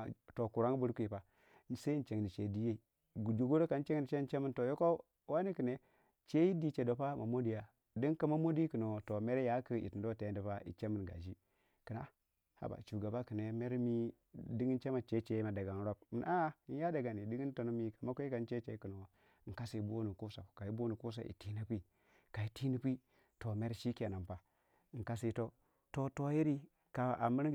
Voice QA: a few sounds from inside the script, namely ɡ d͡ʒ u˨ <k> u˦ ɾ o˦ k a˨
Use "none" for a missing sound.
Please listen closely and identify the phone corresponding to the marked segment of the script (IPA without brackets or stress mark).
ɡ